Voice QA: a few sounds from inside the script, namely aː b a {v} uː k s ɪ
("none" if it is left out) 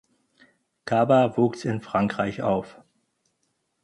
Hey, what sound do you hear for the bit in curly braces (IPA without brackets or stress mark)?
v